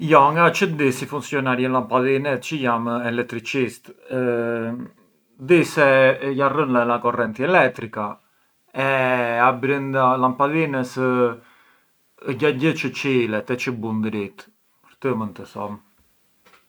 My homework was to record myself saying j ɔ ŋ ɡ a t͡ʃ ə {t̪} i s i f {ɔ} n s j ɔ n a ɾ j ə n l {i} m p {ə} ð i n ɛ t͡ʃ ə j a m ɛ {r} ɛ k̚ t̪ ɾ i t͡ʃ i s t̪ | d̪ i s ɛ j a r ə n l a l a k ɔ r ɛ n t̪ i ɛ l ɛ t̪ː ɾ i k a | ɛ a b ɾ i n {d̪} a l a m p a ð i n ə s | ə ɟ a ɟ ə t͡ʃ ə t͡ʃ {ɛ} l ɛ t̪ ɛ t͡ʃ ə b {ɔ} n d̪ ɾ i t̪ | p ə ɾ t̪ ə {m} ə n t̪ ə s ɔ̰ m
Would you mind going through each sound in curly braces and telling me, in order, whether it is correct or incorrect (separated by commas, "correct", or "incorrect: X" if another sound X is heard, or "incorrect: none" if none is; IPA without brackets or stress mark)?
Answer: incorrect: d̪, incorrect: u, incorrect: a, incorrect: a, incorrect: l, correct, incorrect: i, incorrect: u, correct